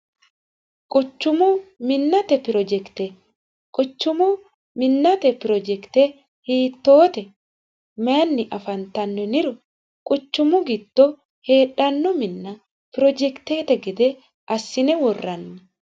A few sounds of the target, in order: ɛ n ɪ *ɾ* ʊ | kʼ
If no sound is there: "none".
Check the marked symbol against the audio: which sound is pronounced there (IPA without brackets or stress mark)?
ɾ